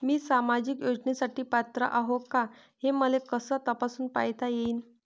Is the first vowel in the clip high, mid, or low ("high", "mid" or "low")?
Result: high